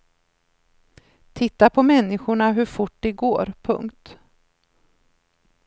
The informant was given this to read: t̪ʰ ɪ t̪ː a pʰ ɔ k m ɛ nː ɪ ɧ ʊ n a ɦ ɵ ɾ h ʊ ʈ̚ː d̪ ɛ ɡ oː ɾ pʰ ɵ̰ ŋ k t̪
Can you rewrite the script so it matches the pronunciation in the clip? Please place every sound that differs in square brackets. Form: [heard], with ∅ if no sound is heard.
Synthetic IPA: t̪ʰ ɪ t̪ː a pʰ ɔ [∅] m ɛ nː ɪ ɧ ʊ [ɳ] a ɦ ɵ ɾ [f] ʊ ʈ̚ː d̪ ɛ ɡ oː ɾ pʰ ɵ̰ ŋ k t̪